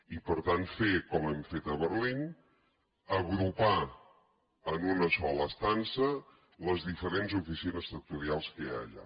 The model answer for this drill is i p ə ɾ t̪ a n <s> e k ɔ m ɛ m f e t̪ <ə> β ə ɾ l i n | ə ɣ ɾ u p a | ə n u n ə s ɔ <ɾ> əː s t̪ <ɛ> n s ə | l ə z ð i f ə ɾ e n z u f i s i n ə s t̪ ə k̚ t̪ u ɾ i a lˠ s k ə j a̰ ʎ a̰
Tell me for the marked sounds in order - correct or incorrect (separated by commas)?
incorrect, correct, incorrect, incorrect